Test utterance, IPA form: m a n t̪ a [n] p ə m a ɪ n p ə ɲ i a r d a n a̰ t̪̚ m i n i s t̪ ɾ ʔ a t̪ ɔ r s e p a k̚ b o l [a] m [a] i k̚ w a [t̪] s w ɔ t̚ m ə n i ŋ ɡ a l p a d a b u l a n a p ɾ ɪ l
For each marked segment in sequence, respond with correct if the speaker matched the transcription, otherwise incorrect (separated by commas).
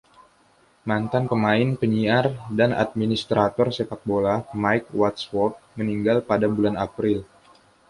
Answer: correct, correct, correct, correct